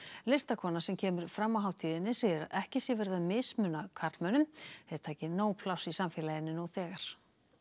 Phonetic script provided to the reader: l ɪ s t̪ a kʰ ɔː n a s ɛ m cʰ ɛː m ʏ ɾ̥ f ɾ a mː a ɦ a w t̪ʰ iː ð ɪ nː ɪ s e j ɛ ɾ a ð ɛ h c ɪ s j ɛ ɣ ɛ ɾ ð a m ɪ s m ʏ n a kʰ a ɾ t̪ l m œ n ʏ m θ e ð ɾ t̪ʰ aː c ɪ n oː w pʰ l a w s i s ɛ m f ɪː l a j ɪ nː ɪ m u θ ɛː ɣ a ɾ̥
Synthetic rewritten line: l ɪ s t̪ a kʰ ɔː n a s ɛ m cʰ ɛː m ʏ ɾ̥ f ɾ a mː a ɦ a w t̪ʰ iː ð ɪ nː ɪ s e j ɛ ɾ a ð ɛ h c ɪ s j ɛ v ɛ ɾ ð a m ɪ s m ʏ n a kʰ a ɾ t̪ l m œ n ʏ m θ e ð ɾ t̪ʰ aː c ɪ n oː w pʰ l a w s i s a m f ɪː l a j ɪ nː ɪ n u θ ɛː ɣ a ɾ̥